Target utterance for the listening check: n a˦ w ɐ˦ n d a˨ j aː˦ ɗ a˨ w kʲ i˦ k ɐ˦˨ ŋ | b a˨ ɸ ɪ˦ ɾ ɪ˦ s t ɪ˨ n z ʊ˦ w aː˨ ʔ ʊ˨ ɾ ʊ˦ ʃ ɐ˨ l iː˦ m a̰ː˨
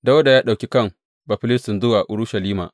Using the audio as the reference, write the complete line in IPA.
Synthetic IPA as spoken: d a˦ w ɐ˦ d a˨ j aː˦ ɗ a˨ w kʲ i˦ k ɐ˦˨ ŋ | b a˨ ɸ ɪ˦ l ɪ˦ s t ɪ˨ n z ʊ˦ w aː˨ ʔ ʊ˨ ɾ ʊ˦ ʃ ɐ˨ l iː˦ m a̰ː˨

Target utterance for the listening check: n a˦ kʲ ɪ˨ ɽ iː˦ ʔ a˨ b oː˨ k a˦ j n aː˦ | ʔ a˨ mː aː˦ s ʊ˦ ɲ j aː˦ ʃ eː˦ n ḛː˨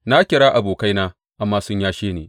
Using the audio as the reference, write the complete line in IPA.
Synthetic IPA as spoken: n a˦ kʲ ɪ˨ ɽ aː˦ ʔ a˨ b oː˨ k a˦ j n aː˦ | ʔ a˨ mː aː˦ s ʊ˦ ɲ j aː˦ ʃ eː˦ n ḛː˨

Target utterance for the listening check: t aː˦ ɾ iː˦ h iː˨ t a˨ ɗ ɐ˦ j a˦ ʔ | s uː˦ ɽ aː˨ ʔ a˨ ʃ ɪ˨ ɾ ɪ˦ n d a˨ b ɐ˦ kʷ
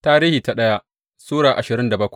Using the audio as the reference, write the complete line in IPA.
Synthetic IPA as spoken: t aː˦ ɾ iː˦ h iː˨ t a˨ ɗ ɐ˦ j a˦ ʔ | s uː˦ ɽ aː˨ ʔ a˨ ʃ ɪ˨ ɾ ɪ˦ n d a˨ b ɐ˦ kʷ

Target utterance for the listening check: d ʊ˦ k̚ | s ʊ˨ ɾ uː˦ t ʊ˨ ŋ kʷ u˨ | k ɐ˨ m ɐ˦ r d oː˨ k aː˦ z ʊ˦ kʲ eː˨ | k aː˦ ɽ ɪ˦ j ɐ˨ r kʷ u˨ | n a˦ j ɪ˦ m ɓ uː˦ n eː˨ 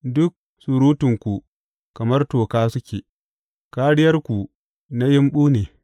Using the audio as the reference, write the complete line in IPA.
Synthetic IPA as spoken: d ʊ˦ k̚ | s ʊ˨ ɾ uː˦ t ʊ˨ ŋ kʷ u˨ | k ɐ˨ m ɐ˦ r t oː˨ k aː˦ s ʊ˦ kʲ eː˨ | k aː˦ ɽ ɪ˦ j ɐ˦ r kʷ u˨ | n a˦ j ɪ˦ m ɓ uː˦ n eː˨

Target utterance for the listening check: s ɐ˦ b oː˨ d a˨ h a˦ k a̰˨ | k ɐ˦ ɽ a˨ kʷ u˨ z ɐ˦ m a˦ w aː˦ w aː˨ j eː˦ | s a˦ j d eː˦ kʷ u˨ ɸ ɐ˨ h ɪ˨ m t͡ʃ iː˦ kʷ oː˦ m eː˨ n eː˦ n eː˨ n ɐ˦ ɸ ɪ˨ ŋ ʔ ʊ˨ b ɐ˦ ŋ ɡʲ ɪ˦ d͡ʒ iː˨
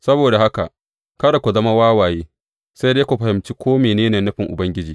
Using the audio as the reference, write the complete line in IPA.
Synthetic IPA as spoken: s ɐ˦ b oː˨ d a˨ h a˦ k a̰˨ | k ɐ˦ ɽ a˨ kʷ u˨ z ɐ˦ m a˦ w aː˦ w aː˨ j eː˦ | s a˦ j d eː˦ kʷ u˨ ɸ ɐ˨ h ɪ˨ m t͡ʃ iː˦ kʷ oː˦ m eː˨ n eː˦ n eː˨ n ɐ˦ ɸ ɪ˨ ŋ ʔ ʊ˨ b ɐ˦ ŋ ɡʲ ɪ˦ d͡ʒ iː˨

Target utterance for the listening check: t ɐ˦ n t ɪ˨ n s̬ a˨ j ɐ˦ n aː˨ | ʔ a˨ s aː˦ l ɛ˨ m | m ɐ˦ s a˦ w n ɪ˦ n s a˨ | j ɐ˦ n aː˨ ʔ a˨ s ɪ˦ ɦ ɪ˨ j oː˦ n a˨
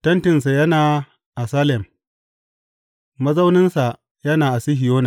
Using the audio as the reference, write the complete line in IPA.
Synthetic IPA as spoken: t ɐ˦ n t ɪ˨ n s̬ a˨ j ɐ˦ n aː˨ | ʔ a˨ s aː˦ l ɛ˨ m | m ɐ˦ z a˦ w n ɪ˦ n s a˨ | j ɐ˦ n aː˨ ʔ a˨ s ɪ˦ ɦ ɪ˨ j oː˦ n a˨

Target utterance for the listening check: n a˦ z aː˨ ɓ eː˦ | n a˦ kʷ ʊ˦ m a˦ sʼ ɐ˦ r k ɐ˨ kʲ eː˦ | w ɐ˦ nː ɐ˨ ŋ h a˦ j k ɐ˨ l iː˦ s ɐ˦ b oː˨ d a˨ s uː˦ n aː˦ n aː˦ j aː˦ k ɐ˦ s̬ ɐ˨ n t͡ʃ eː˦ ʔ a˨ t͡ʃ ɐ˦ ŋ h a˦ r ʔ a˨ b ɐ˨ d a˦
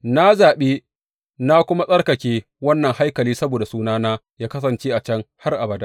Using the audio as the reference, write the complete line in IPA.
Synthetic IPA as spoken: n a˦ z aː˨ ɓ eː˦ | n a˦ kʷ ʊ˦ m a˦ sʼ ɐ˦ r k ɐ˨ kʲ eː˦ | w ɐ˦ nː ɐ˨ ŋ h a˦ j k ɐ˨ l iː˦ s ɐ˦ b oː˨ d a˨ s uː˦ n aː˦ n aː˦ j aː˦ k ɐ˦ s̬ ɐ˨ n t͡ʃ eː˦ ʔ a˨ t͡ʃ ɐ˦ ŋ h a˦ r ʔ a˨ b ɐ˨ d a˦

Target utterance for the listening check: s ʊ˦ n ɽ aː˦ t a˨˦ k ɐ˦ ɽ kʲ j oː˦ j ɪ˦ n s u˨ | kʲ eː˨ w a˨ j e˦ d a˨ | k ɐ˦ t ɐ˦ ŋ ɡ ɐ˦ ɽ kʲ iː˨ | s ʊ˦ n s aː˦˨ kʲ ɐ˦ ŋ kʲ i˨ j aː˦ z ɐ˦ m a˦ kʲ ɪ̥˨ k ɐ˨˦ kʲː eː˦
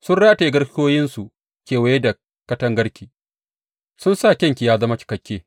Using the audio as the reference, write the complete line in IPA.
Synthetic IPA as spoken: s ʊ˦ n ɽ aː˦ t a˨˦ ɡ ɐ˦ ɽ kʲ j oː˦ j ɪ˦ n s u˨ | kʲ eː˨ w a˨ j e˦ d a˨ | k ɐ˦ t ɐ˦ ŋ ɡ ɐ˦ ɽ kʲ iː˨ | s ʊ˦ n s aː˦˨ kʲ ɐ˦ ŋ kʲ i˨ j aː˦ z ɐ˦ m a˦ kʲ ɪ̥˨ k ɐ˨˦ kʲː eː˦

